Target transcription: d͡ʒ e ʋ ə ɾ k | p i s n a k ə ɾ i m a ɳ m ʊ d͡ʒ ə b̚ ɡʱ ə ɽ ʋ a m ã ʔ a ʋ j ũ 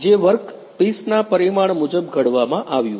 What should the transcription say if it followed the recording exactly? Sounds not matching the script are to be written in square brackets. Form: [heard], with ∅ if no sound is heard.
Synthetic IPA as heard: d͡ʒ e ʋ ə ɾ k | p i s n a [p] ə ɾ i m a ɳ m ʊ d͡ʒ ə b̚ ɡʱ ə ɽ ʋ a m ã ʔ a ʋ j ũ